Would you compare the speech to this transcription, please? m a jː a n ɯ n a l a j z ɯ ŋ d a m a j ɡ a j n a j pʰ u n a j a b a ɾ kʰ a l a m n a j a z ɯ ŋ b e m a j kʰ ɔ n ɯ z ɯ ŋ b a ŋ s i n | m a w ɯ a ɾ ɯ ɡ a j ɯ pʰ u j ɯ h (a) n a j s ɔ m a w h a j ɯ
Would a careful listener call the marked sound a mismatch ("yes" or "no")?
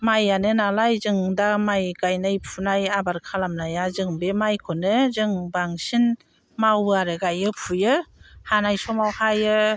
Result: no